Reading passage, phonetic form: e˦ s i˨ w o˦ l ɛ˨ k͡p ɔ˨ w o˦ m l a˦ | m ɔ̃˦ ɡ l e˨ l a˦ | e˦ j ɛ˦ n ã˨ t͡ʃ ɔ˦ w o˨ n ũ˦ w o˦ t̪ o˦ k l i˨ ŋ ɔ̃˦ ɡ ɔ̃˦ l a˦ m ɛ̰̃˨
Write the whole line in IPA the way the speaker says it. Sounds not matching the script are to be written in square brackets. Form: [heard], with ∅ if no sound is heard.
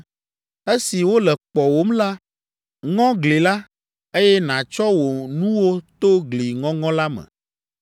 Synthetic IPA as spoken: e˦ s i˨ w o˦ l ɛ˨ k͡p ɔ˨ w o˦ m l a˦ | [ŋ] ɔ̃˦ ɡ l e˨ l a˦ | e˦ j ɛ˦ n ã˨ t͡ʃ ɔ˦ w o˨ n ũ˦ w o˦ t̪ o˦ [ɡ] l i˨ ŋ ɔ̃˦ [ŋ] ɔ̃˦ l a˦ m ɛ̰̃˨